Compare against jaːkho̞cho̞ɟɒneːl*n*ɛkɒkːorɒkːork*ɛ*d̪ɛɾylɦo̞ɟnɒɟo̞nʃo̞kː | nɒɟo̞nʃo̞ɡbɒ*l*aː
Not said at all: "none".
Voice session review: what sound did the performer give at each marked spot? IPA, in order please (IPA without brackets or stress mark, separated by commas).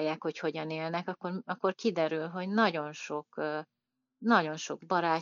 n, i, ɾ